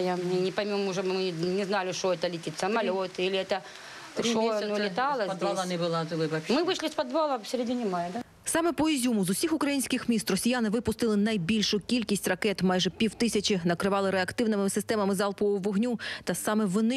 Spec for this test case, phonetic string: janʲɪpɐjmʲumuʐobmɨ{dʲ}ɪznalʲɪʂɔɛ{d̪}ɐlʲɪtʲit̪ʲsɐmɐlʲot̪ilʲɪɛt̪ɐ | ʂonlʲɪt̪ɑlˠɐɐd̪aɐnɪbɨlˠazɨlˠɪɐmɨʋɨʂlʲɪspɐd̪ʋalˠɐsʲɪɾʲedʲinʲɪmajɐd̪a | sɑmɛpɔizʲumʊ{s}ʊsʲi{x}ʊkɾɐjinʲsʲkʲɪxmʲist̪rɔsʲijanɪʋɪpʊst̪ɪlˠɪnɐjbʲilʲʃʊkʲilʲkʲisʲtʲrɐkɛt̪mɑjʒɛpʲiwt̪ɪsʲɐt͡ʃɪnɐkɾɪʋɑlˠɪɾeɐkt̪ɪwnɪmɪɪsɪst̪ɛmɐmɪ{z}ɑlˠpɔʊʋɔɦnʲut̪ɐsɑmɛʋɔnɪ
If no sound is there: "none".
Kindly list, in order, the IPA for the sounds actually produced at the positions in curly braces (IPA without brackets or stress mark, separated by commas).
nʲ, t̪, z, x, z